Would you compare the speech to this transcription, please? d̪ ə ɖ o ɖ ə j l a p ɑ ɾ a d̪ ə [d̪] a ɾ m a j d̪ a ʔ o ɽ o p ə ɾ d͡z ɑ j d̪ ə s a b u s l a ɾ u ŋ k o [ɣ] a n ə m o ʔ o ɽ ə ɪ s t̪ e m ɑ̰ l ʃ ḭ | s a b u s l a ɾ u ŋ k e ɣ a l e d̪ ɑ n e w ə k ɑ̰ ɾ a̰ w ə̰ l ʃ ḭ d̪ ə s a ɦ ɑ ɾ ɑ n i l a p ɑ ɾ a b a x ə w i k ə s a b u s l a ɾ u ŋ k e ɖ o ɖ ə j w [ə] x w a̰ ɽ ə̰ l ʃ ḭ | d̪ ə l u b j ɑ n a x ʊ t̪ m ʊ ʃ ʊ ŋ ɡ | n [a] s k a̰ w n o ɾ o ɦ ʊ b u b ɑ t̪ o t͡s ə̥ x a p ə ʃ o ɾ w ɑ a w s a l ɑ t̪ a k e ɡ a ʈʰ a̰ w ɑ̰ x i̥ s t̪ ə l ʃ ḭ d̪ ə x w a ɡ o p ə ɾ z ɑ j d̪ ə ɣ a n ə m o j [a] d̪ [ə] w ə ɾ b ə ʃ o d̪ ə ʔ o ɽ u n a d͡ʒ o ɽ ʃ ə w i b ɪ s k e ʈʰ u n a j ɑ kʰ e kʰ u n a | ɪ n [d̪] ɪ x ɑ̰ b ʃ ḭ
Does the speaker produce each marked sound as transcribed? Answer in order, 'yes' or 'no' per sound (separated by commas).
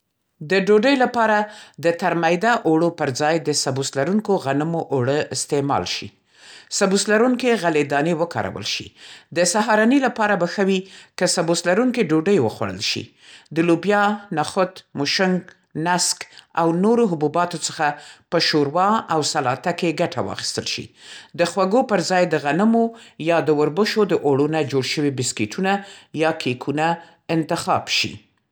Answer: no, yes, yes, yes, no, yes, no